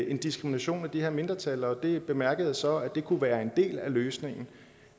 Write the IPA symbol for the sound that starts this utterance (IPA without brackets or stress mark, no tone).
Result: e̝